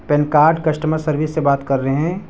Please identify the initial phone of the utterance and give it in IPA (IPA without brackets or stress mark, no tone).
p